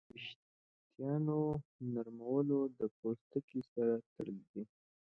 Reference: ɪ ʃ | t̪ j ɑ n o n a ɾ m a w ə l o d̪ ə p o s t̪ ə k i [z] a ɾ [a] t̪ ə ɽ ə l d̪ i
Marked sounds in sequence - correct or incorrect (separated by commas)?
incorrect, correct